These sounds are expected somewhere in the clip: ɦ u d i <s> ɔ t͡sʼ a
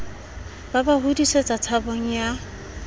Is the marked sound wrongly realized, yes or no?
no